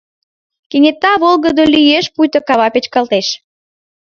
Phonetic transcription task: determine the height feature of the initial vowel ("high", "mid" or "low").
mid